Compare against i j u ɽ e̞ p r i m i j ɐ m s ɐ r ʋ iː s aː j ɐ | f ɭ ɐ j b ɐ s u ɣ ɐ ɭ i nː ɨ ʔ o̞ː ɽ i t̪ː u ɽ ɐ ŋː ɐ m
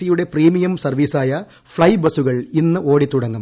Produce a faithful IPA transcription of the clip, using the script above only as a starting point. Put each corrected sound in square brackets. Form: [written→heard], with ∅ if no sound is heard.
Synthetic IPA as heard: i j u ɽ e̞ p r [i→iː] m i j ɐ m s ɐ r ʋ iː s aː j ɐ | f ɭ ɐ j b ɐ s u ɣ ɐ ɭ i nː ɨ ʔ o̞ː ɽ i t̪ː u ɽ ɐ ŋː ɐ m